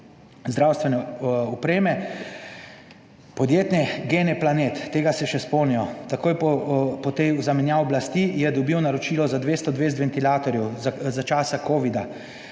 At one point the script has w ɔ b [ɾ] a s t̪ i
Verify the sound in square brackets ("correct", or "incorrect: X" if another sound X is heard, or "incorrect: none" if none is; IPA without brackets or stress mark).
incorrect: l